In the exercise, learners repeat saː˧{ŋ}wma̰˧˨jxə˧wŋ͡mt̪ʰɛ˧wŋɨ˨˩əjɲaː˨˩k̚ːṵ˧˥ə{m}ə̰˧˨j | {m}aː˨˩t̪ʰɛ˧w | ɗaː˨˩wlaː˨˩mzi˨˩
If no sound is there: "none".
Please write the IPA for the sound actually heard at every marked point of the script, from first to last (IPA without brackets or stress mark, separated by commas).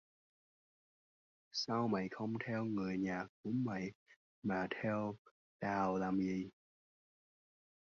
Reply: none, m, m